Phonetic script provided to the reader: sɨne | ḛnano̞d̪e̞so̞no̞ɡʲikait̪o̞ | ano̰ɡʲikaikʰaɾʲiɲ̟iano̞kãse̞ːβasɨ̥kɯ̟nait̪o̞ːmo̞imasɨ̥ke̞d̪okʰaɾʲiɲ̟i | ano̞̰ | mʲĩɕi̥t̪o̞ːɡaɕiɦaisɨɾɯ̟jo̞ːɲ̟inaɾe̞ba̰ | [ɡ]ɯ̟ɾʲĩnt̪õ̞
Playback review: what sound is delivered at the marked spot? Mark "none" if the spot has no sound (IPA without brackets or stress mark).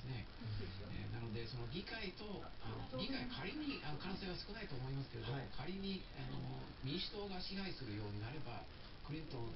k